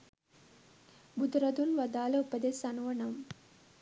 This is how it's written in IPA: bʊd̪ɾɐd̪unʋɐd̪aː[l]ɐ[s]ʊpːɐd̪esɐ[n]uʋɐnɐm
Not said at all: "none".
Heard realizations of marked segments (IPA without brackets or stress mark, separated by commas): l, none, n